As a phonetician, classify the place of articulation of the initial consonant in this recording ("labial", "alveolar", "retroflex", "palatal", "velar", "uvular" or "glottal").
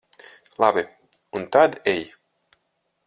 alveolar